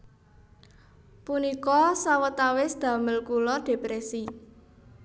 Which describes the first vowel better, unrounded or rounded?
rounded